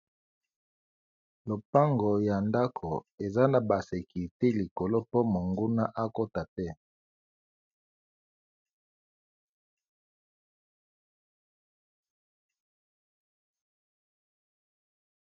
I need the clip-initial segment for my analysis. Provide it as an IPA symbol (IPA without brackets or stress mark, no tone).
l